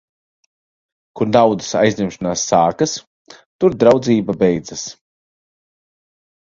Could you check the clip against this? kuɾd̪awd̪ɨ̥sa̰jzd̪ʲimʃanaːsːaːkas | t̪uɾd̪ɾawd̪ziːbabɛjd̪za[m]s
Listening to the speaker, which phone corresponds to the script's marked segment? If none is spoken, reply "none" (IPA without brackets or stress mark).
none